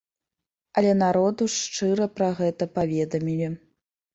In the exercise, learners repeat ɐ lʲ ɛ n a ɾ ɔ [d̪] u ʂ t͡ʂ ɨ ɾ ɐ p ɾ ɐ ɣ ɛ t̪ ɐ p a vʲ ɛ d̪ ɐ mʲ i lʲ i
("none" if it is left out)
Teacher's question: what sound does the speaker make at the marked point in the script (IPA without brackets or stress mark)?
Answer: d̪